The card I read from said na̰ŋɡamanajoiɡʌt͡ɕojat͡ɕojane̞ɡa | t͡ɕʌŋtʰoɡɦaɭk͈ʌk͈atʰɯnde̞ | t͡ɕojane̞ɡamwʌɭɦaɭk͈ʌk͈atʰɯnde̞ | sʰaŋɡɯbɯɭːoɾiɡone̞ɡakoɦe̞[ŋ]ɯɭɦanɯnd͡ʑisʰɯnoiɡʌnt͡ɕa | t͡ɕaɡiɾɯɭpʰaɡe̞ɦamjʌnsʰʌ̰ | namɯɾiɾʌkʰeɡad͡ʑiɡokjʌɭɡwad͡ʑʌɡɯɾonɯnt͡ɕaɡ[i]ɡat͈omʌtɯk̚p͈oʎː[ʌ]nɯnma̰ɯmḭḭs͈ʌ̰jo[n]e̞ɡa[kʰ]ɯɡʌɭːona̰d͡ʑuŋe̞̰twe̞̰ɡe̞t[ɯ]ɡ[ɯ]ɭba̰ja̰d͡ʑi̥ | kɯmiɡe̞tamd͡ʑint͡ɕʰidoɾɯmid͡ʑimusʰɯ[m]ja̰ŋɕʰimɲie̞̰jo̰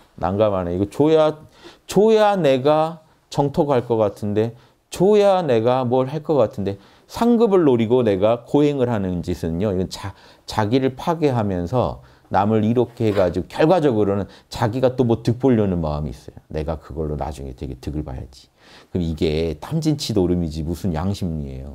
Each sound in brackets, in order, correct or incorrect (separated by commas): correct, correct, correct, correct, incorrect, correct, correct, incorrect